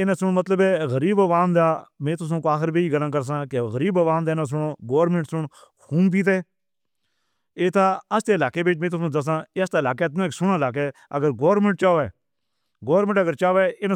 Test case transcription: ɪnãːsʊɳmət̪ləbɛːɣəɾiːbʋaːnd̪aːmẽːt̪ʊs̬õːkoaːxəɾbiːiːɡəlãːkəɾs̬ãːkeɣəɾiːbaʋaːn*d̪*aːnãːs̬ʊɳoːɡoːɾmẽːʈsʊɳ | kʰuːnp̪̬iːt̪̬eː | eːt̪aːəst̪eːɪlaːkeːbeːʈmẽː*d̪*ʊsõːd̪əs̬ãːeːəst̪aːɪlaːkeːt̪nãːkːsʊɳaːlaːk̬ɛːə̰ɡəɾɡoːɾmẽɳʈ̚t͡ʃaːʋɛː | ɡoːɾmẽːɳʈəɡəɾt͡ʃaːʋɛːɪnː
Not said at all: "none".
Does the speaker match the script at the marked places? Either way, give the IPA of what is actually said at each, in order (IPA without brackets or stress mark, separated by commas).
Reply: d̪, t̪